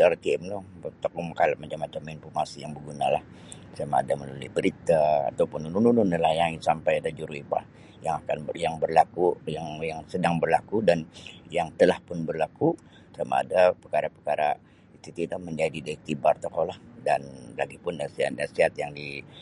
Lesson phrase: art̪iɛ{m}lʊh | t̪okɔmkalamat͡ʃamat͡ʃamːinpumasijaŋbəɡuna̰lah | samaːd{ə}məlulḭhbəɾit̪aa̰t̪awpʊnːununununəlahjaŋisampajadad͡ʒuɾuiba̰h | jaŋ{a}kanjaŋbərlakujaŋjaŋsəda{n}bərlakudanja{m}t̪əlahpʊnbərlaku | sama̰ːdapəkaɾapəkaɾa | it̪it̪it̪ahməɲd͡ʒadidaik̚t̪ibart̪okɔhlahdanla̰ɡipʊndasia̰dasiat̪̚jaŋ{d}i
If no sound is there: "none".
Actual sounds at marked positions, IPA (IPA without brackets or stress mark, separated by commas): m, a, a, ŋ, ŋ, d